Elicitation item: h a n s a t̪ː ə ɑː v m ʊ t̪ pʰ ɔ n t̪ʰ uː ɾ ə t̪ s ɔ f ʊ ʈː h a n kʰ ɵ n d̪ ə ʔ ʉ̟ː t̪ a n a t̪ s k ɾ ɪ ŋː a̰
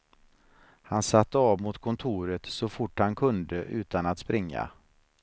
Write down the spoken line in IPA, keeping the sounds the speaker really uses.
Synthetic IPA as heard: h a n s a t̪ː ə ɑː v m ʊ t̪ kʰ ɔ n t̪ʰ uː ɾ ə t̪ s ɔ f ʊ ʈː h a n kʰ ɵ n d̪ ə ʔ ʉ̟ː t̪ a n a t̪ s p ɾ ɪ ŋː a̰